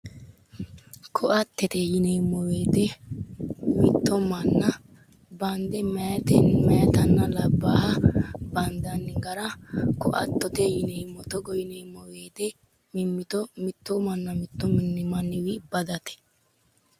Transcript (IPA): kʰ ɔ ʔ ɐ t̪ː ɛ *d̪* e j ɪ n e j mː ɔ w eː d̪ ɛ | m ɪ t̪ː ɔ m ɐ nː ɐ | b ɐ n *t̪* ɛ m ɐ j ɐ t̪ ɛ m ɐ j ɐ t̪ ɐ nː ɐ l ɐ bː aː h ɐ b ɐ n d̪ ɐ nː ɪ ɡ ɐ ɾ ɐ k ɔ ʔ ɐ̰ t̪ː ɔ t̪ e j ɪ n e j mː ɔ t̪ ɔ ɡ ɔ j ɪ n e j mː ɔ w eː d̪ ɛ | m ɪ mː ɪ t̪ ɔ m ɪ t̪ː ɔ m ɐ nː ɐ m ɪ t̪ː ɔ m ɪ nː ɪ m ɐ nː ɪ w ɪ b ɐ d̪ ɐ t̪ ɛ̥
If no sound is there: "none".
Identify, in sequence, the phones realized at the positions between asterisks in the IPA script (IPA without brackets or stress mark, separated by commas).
t̪, d̪